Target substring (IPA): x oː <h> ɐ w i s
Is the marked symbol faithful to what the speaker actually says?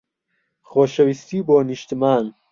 no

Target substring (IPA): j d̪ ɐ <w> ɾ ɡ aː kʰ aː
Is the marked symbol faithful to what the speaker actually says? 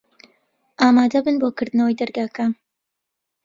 no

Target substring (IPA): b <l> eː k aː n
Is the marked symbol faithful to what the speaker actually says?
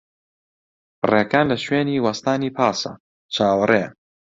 no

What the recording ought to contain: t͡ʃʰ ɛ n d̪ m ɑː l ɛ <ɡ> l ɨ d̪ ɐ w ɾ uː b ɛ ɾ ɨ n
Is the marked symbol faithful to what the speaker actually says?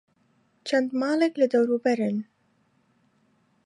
no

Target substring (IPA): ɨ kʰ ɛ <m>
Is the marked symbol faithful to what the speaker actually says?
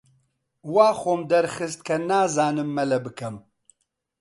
yes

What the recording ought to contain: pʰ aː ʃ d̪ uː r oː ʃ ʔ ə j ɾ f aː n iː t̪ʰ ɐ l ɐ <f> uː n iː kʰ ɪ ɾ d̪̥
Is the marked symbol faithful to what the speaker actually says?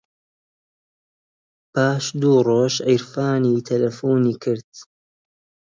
yes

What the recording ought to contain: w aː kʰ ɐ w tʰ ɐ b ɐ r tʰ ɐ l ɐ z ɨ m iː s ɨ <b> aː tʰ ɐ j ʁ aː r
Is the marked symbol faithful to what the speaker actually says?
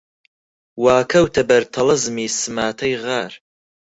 no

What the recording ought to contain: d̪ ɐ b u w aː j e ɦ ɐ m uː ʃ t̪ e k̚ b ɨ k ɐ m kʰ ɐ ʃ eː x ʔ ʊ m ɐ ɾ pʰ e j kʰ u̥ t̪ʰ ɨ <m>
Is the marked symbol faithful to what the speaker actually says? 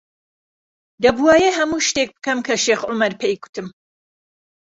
yes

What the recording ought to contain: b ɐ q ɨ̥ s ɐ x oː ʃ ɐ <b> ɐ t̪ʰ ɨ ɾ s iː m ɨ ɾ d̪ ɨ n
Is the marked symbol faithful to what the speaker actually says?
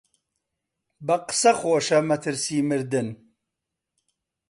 no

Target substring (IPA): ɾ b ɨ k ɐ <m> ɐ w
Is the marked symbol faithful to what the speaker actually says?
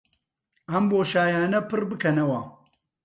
no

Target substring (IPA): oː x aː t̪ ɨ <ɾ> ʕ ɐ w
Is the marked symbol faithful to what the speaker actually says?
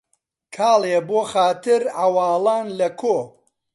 yes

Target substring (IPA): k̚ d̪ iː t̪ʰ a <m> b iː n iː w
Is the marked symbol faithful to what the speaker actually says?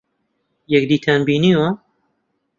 no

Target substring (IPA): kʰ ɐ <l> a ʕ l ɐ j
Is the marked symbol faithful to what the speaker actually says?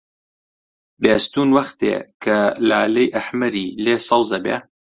yes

